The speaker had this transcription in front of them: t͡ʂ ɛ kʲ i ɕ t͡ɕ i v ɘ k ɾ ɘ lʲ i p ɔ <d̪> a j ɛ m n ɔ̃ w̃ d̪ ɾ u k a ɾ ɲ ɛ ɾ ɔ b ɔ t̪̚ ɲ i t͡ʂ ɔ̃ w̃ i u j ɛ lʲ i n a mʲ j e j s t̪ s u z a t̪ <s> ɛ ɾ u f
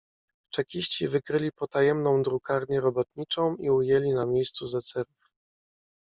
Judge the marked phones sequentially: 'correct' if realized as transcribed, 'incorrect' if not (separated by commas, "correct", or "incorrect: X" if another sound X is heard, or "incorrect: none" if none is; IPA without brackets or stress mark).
incorrect: t̪, correct